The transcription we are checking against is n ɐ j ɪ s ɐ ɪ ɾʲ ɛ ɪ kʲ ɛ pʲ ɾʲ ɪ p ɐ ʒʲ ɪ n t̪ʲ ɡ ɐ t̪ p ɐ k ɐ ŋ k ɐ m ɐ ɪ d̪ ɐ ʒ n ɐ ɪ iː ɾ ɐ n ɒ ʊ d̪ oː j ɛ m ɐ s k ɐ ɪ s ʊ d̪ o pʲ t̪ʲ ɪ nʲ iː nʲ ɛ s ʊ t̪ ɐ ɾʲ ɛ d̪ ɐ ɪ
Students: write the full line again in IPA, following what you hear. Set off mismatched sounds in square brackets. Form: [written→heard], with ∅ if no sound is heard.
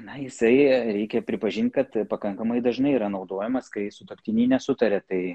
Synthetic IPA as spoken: n ɐ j ɪ s ɐ ɪ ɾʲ ɛ ɪ kʲ ɛ pʲ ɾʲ ɪ p ɐ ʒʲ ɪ n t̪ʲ [ɡ→k] ɐ t̪ p ɐ k ɐ ŋ k ɐ m ɐ ɪ d̪ ɐ ʒ n ɐ ɪ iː ɾ ɐ n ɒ ʊ d̪ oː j ɛ m ɐ s k ɐ ɪ s ʊ [d̪→t̪] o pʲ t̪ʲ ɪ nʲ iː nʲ ɛ s ʊ t̪ ɐ ɾʲ ɛ [d̪→t̪] ɐ ɪ

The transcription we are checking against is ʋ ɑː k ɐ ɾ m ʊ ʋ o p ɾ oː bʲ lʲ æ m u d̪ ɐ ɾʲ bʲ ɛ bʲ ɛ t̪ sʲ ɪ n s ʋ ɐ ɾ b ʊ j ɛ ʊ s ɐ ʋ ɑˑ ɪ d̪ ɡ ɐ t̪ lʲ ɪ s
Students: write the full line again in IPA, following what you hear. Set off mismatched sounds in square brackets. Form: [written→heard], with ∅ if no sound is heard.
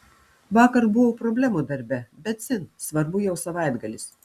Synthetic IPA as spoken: ʋ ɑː k ɐ ɾ [m→b] ʊ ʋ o p ɾ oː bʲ lʲ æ m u d̪ ɐ ɾʲ bʲ ɛ bʲ ɛ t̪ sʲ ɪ n s ʋ ɐ ɾ b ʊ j ɛ ʊ s ɐ ʋ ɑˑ ɪ d̪ ɡ ɐ [t̪→∅] lʲ ɪ s

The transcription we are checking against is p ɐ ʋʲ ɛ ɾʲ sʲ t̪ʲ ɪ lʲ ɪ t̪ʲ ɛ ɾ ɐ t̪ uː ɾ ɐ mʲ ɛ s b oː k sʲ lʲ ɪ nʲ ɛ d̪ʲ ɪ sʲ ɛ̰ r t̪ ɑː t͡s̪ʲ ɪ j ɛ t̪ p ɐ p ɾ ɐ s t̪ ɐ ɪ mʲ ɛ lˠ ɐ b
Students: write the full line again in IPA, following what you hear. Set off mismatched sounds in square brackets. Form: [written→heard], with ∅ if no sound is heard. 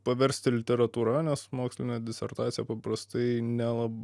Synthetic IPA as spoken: p ɐ ʋʲ ɛ ɾʲ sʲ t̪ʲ ɪ lʲ ɪ t̪ʲ ɛ ɾ ɐ t̪ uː ɾ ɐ [mʲ→nʲ] ɛ s [b→m] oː k sʲ lʲ ɪ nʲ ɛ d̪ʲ ɪ sʲ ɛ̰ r t̪ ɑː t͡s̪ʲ ɪ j ɛ [t̪→∅] p ɐ p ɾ ɐ s t̪ ɐ ɪ [mʲ→nʲ] ɛ lˠ ɐ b

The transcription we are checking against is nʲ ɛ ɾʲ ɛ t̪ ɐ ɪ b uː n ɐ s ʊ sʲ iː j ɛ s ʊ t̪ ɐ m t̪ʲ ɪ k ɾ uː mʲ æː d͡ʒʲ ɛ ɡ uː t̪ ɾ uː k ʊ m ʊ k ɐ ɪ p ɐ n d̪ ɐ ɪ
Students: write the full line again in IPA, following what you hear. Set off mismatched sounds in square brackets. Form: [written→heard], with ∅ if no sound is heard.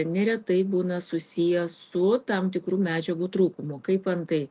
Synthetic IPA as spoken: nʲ ɛ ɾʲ ɛ t̪ ɐ ɪ b uː n ɐ s ʊ sʲ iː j ɛ s ʊ t̪ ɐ m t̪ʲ ɪ k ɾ uː mʲ æː d͡ʒʲ ɛ ɡ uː t̪ ɾ uː k ʊ m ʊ k ɐ ɪ p ɐ n [d̪→t̪] ɐ ɪ

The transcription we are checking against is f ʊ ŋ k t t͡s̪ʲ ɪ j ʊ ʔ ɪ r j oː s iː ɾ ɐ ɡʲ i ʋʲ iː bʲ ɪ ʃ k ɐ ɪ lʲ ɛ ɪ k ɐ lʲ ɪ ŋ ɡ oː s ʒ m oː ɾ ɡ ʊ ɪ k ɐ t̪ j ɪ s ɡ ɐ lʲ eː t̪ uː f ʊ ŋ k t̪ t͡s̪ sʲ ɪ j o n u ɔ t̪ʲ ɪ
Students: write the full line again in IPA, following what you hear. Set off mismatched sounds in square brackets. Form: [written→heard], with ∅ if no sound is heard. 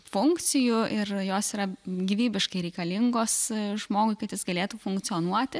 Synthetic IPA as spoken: f ʊ ŋ k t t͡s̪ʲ ɪ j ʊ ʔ ɪ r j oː s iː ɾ ɐ ɡʲ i ʋʲ iː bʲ ɪ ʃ k ɐ ɪ [lʲ→ɾʲ] ɛ ɪ k ɐ lʲ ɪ ŋ ɡ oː s ʒ m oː [ɾ→∅] ɡ ʊ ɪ k ɐ t̪ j ɪ s ɡ ɐ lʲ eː t̪ uː f ʊ ŋ k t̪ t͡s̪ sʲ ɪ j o n u ɔ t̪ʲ ɪ

